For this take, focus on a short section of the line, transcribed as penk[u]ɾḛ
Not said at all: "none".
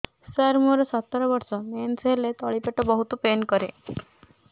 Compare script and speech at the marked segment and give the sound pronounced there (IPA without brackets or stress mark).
ɔ